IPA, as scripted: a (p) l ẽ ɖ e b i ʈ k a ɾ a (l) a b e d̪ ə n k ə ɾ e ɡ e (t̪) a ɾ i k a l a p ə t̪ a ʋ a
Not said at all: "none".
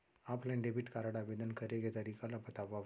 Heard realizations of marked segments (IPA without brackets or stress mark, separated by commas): p, ɽ, t̪